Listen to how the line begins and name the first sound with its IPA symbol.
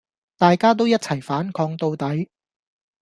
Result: t̪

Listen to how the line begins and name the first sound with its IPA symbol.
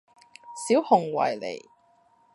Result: s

